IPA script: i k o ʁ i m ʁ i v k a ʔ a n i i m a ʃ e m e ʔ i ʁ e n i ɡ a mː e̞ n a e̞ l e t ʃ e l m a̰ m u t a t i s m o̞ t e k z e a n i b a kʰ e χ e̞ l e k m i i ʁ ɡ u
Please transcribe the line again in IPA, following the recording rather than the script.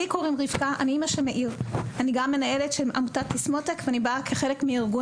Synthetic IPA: i k o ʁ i m ʁ i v k a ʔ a n i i m a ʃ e m e ʔ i ʁ a n i ɡ a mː e̞ n a e̞ l e t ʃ e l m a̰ m u t a t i s m o̞ t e k v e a n i b a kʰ e χ e̞ l e k m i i ʁ ɡ u